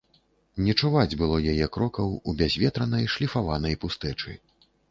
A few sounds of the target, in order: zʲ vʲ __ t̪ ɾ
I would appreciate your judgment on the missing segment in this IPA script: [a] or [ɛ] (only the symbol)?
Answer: ɛ